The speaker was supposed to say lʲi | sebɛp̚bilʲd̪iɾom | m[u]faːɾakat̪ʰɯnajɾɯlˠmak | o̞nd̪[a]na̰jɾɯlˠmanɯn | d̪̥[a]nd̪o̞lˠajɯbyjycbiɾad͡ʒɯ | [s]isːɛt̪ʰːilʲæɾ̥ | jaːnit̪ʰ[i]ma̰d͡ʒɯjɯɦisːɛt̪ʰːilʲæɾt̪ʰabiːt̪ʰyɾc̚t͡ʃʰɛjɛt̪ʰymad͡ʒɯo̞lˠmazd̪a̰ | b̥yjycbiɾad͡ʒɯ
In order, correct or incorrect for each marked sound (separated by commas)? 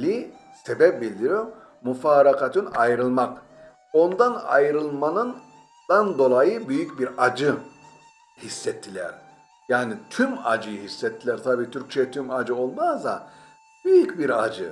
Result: correct, correct, correct, incorrect, incorrect